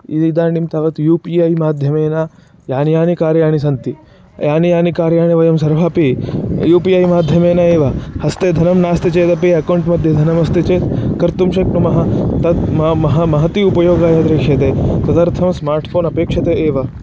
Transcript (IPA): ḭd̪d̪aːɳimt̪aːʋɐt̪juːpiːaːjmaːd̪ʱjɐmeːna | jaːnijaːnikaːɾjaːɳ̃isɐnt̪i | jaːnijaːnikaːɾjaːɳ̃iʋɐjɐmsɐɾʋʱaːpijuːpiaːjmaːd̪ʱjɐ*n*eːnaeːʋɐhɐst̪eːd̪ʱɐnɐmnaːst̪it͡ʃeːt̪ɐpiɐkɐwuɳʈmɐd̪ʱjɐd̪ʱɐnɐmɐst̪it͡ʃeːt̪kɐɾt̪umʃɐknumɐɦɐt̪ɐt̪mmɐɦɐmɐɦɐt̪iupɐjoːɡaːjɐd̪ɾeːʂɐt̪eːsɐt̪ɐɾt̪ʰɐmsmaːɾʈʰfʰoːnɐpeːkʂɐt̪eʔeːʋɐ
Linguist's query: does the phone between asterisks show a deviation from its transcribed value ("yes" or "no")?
yes